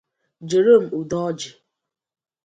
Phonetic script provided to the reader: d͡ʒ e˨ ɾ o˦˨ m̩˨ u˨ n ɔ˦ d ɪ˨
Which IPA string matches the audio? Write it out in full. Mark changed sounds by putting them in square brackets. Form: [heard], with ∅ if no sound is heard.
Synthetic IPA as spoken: d͡ʒ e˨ ɾ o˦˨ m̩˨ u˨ [d] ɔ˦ [d͡ʒ] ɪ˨